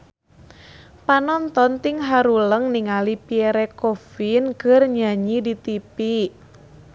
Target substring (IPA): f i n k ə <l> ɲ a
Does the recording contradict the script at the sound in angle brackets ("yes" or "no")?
yes